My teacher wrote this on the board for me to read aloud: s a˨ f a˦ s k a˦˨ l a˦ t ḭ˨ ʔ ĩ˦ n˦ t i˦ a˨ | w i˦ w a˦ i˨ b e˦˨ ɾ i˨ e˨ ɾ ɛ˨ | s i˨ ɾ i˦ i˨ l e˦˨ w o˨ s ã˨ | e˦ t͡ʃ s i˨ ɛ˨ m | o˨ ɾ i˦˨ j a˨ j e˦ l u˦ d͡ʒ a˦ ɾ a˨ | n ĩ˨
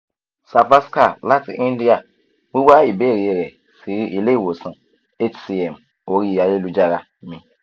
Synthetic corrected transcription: s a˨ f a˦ s k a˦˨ l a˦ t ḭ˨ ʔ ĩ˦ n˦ d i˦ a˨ | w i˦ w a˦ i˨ b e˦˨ ɾ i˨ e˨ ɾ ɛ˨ | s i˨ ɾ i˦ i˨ l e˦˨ w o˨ s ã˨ | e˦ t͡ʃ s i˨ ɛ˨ m | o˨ ɾ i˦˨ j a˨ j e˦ l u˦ d͡ʒ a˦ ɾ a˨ | m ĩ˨